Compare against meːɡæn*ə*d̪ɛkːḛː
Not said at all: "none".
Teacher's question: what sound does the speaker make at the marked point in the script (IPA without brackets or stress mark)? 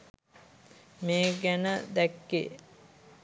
ə